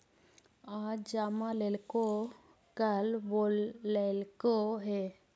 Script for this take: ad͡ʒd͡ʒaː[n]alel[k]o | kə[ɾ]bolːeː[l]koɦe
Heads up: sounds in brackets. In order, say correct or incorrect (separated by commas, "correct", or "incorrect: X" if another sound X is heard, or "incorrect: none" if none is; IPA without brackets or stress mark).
incorrect: m, correct, incorrect: l, correct